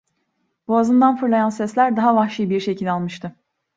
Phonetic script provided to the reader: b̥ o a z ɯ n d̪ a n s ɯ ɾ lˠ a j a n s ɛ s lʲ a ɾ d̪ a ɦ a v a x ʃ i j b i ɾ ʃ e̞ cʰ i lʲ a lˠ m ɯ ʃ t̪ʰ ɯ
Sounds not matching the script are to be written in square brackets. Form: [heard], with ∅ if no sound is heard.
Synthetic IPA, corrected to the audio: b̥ [u] a z ɯ n d̪ a n [f] ɯ ɾ lˠ a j a n s ɛ s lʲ [æ] ɾ d̪ a ɦ a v a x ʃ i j b i ɾ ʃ e̞ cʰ i lʲ a lˠ m ɯ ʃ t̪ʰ ɯ